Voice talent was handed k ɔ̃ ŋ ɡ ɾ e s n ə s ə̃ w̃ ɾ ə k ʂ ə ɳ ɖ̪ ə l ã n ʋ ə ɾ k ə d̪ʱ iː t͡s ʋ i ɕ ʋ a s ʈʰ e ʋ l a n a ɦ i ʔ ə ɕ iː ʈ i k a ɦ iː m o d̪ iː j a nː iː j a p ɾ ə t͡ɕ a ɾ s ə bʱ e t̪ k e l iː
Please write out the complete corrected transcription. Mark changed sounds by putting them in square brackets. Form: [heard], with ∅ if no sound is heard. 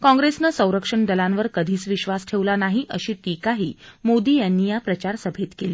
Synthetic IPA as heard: k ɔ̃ ŋ ɡ ɾ e s n ə s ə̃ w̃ ɾ ə k ʂ ə ɳ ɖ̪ ə l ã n ʋ ə ɾ k ə d̪ʱ iː t͡s ʋ i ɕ ʋ a s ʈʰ e ʋ l a n a ɦ i ʔ ə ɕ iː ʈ i k a ɦ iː m o d̪ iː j a nː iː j a p ɾ ə t͡ɕ a ɾ s ə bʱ e t̪ k e l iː